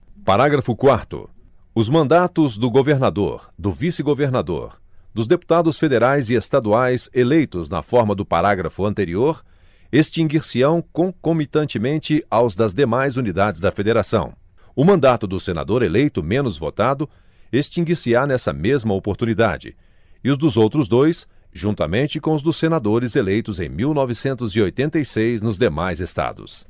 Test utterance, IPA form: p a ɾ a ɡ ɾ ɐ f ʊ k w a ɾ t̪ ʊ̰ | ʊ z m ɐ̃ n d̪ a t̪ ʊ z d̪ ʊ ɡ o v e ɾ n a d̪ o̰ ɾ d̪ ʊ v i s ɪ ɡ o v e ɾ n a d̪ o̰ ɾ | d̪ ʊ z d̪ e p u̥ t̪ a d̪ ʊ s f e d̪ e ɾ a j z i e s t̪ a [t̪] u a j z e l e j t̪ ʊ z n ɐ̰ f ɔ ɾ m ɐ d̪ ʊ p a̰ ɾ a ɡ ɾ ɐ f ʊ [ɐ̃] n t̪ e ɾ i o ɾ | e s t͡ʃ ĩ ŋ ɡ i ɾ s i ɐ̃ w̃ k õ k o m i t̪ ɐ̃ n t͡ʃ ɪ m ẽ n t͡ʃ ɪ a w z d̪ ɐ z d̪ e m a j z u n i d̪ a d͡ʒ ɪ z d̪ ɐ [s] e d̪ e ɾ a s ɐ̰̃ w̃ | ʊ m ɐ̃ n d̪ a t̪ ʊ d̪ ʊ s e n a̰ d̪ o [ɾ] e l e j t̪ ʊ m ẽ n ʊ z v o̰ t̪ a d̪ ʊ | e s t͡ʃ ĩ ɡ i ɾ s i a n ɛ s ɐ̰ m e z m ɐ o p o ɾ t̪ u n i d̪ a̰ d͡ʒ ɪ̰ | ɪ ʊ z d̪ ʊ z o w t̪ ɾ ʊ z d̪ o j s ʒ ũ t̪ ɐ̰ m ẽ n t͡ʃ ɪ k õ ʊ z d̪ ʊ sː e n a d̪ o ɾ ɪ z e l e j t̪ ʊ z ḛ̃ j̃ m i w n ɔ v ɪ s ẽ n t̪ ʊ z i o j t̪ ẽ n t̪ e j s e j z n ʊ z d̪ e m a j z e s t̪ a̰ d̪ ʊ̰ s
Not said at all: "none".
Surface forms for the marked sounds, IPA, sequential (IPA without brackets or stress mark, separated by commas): d̪, ɐ̃, f, ɾ